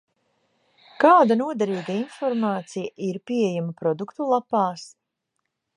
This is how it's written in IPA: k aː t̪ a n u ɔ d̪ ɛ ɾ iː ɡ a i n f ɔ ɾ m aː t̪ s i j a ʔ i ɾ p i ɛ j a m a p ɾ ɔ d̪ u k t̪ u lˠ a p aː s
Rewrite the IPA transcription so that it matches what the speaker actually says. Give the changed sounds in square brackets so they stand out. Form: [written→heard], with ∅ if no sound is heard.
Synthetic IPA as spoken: k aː [t̪→d̪] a n u ɔ d̪ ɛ ɾ iː ɡ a i n f ɔ ɾ m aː t̪ s i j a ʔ i ɾ p i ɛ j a m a p ɾ ɔ d̪ u k t̪ u lˠ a p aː s

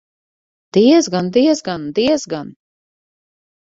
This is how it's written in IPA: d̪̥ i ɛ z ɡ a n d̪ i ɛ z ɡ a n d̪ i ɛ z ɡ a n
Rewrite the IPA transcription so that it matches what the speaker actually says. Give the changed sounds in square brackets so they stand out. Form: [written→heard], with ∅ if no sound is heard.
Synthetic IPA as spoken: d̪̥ i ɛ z ɡ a n d̪ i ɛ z ɡ a n d̪ i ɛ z ɡ a n

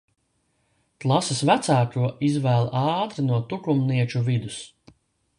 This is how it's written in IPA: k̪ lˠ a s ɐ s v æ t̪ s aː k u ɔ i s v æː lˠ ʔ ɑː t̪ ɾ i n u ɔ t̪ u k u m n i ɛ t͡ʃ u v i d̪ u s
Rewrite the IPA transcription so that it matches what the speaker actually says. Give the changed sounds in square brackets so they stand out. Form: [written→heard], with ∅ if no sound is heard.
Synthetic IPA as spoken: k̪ lˠ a s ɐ s v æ t̪ s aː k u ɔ i [s→z] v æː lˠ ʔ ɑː t̪ ɾ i n u ɔ t̪ u k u m n i ɛ t͡ʃ u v i d̪ u s

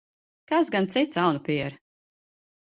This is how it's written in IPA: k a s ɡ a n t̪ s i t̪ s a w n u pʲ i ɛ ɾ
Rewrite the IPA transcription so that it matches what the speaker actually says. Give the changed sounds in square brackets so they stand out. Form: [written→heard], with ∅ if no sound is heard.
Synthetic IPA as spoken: k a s ɡ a n t̪ s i t̪ s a w n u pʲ i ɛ ɾ

